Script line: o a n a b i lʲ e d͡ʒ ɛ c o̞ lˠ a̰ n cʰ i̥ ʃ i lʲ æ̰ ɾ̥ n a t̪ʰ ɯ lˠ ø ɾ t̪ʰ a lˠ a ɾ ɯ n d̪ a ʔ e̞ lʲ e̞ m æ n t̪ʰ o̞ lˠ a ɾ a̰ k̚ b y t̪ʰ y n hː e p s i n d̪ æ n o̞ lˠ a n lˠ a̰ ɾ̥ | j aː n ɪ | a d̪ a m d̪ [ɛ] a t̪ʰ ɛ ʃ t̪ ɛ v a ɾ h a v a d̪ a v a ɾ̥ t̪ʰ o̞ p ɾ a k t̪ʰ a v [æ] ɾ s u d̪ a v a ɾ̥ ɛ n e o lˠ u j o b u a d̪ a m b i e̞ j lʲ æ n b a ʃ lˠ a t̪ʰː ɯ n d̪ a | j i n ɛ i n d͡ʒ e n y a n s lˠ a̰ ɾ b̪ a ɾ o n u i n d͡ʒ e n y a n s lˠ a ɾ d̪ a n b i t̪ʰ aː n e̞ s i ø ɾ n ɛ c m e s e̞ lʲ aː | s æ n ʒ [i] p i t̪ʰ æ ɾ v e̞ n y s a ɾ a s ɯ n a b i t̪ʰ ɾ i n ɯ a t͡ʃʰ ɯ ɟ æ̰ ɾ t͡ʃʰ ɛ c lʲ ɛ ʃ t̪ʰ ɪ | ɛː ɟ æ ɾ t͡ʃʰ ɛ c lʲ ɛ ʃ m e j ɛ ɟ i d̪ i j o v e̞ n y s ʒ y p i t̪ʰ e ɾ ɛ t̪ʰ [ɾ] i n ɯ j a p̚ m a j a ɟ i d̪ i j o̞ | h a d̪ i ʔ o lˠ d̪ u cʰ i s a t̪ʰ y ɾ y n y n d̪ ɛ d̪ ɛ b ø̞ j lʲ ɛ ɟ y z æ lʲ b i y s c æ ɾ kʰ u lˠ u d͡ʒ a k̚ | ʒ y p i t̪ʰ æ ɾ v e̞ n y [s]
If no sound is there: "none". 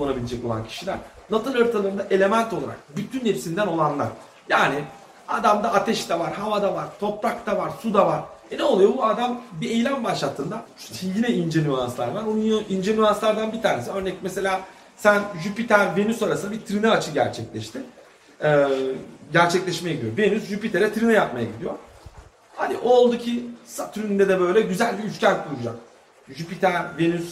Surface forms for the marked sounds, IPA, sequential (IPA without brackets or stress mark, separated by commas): a, a, y, ɾ, s